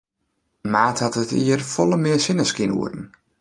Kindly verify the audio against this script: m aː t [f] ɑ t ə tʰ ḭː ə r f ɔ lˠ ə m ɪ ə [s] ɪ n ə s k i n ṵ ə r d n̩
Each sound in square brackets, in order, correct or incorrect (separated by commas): incorrect, correct